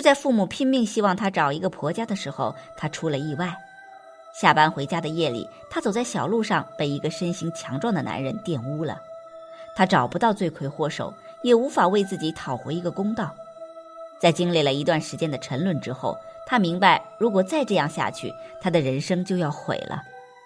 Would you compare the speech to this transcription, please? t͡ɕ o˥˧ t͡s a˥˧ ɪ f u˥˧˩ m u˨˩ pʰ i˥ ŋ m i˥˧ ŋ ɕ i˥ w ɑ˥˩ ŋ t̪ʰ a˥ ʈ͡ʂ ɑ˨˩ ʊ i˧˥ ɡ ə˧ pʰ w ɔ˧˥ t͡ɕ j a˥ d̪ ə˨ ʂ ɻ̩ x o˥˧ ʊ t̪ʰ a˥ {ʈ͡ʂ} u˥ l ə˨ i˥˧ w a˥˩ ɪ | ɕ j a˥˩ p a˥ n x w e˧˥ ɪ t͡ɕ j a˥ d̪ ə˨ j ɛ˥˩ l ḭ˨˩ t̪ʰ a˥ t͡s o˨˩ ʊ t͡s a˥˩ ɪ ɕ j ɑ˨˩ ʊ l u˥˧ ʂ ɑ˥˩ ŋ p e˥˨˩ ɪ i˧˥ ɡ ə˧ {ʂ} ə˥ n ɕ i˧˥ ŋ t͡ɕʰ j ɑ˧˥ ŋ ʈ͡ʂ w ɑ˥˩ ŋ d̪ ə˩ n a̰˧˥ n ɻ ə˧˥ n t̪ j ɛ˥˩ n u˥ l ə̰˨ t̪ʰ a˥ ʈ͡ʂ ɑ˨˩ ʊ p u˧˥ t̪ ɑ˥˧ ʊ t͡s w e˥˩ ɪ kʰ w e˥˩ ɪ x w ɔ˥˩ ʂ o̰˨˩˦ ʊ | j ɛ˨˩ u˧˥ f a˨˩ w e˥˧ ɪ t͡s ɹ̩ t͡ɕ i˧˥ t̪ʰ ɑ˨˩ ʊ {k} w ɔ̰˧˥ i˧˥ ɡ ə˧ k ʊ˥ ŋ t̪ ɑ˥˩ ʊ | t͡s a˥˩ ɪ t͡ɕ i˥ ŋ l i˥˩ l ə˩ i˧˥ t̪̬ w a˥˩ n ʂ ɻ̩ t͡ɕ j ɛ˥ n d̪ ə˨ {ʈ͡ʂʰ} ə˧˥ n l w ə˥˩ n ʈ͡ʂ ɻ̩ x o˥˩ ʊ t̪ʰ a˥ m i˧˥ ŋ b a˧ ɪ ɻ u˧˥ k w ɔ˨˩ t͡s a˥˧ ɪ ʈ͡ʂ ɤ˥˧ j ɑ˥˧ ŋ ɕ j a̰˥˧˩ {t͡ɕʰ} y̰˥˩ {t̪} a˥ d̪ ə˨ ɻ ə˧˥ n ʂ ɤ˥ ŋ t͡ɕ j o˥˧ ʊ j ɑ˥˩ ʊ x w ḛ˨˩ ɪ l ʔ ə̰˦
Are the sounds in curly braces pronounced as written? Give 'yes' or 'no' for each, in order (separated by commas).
no, yes, no, yes, yes, no